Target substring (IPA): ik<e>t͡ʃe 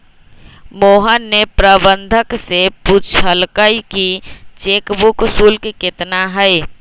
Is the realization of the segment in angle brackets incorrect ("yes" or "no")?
yes